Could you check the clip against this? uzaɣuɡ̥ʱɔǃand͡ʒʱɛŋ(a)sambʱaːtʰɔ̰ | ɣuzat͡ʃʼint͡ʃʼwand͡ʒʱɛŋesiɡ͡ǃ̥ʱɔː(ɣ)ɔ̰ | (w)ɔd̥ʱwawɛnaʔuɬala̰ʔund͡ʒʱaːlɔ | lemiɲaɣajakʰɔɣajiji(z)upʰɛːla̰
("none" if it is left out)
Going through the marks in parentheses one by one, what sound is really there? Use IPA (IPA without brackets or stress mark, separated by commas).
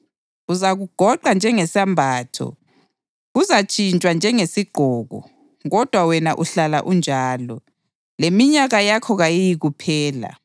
ɛ, ɣ, ɣ, ɣ